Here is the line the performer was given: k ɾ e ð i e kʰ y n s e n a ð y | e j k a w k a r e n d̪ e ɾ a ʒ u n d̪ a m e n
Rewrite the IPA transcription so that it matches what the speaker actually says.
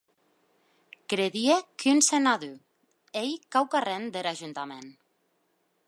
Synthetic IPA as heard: k ɾ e ð i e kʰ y n s e n a ð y | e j k a w k a r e n d̪ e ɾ a ʒ u n t̪ a m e n